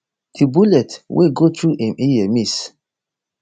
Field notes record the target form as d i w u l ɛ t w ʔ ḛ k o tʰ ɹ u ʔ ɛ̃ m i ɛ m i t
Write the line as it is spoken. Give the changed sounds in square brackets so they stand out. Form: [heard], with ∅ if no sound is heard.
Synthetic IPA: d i [b] u l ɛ t w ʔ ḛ [ɡ] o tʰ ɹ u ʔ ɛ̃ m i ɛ m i [s]